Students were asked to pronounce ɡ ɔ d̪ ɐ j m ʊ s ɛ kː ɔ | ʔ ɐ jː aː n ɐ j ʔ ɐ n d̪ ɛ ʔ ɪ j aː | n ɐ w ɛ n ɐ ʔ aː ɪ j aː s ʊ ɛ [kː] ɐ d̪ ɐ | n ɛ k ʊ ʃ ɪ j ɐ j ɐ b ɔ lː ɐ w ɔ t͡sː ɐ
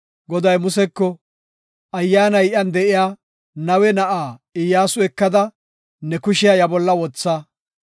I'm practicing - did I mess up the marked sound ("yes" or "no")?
no